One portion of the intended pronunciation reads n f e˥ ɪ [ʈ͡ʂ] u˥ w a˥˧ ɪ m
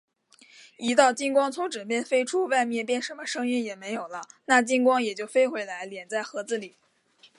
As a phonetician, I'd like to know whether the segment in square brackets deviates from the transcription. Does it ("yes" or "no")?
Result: yes